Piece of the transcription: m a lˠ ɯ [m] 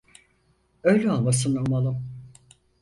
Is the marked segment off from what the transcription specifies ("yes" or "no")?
no